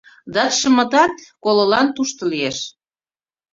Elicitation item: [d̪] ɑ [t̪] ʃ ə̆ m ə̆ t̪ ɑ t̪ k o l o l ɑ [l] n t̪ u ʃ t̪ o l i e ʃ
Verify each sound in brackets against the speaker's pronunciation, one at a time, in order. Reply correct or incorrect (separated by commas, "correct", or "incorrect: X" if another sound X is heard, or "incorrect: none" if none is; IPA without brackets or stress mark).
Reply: correct, correct, incorrect: none